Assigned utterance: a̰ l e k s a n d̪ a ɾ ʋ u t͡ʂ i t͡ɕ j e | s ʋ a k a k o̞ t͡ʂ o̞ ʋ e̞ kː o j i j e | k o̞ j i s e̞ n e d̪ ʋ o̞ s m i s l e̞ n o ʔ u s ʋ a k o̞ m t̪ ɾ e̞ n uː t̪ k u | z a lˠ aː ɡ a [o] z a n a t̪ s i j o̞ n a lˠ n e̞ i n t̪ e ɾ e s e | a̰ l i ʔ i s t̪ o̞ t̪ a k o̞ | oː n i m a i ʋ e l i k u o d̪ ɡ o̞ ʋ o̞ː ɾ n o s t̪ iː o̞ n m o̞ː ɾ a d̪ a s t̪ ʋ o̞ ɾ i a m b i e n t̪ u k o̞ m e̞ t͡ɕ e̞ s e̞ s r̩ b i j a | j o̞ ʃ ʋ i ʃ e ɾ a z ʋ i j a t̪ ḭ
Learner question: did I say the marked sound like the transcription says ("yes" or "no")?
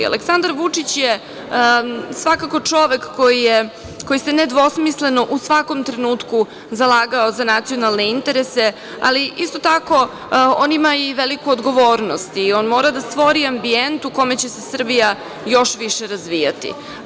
yes